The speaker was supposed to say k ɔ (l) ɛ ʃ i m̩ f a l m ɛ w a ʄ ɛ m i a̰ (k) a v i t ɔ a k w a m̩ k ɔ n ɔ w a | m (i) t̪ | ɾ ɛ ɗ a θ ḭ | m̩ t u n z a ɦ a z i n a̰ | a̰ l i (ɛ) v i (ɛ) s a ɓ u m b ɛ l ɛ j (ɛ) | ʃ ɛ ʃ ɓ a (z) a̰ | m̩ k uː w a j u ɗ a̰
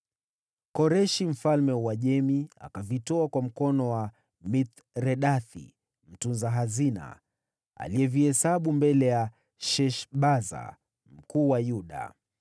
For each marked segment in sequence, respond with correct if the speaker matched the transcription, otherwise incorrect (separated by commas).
incorrect, correct, correct, correct, correct, incorrect, correct